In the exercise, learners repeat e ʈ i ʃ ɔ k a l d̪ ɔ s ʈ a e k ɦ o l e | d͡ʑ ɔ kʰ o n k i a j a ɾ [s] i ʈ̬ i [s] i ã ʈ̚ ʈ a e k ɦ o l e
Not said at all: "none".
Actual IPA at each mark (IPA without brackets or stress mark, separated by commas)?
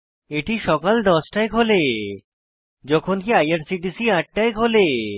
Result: s, s